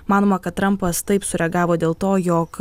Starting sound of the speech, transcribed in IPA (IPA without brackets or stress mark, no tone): m